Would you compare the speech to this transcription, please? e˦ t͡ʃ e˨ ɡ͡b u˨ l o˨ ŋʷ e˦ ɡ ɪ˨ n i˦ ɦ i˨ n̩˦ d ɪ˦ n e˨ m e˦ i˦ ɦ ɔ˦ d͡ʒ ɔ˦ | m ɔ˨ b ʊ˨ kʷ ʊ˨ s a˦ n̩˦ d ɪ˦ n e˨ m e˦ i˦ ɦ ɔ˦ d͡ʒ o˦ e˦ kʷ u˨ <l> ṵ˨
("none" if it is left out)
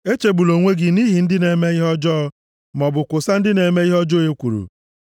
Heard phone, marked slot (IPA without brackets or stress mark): ɾ